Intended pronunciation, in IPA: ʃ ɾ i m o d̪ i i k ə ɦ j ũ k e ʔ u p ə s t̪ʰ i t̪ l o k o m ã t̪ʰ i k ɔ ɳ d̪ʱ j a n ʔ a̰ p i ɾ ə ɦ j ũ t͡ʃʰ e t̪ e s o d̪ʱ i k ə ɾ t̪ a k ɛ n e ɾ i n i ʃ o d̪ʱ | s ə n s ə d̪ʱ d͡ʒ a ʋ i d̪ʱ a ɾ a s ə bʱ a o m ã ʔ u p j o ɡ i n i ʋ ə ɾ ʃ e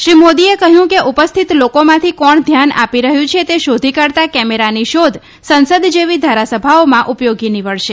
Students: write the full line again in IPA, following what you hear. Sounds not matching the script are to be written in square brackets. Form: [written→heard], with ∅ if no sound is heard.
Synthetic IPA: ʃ ɾ i m o d̪ i [i→e] k ə ɦ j ũ k e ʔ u p ə s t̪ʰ i t̪ l o k o m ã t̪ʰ i k ɔ ɳ d̪ʱ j a n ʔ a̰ p i ɾ ə ɦ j ũ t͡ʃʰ e t̪ e [s→ʃ] o d̪ʱ i k ə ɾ t̪ a k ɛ [n→m] e ɾ [i→a] n i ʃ o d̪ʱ | s ə n s ə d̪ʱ d͡ʒ [a→e] ʋ i d̪ʱ a ɾ a s ə bʱ a o m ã ʔ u p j o ɡ i n i ʋ ə [ɾ→ɭ] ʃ e